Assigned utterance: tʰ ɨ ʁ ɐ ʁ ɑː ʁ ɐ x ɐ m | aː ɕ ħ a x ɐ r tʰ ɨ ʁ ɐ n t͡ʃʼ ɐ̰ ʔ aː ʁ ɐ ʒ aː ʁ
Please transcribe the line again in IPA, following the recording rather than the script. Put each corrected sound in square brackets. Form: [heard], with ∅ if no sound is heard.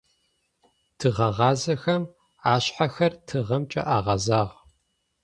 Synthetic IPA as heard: tʰ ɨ ʁ ɐ ʁ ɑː [z] ɐ x ɐ m | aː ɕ ħ a x ɐ r tʰ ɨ ʁ ɐ [m] t͡ʃʼ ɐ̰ ʔ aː ʁ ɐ [z] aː ʁ

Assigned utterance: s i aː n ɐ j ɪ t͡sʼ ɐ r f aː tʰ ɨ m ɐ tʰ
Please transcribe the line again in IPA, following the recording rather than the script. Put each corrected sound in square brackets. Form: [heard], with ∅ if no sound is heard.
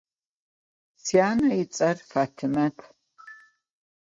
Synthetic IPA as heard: s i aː n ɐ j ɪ t͡sʼ ɐ r f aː tʰ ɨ m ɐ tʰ

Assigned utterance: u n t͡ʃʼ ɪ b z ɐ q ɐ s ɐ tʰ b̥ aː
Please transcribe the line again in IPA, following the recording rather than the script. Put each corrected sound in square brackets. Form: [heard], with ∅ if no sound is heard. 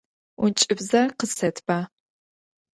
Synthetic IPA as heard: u n t͡ʃʼ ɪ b z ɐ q [ə] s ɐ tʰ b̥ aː

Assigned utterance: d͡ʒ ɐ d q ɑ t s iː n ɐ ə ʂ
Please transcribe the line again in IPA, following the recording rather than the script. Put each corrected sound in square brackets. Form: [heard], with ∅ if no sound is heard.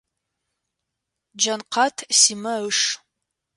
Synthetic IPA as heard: d͡ʒ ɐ [n] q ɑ [tʰ] s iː [m] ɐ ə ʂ

